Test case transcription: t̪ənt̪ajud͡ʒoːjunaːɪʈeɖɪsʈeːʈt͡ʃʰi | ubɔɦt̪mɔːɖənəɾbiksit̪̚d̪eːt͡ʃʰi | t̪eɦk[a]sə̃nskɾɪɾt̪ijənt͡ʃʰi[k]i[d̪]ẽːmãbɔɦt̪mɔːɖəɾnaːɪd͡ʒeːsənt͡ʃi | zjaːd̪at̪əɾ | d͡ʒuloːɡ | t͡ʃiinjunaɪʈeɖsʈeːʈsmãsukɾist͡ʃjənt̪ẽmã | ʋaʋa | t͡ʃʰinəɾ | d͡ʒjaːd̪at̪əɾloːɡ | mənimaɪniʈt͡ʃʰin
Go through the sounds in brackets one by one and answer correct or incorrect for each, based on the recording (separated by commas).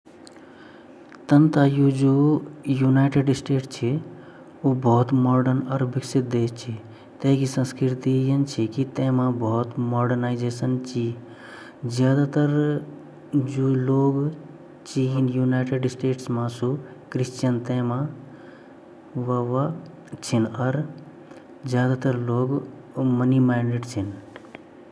incorrect, correct, incorrect